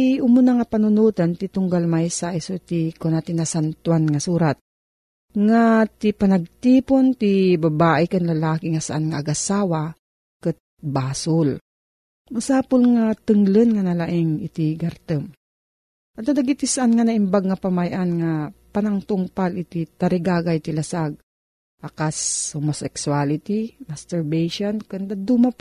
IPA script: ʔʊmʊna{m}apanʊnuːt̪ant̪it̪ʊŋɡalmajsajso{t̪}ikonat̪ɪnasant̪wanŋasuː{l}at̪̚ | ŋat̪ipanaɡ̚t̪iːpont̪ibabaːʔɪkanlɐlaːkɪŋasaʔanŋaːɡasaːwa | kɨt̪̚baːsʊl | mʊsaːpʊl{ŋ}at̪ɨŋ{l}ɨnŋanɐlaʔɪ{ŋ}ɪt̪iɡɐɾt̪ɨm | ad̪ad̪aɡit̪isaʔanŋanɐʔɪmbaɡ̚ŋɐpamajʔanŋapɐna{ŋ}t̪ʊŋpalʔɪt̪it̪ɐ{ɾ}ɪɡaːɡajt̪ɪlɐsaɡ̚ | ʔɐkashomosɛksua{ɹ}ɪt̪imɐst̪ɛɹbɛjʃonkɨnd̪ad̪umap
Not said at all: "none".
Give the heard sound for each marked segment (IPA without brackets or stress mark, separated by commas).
ŋ, t̪, ɾ, ŋ, l, ŋ, ŋ, ɾ, l